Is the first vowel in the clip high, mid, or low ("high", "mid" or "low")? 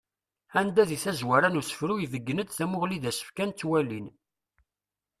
low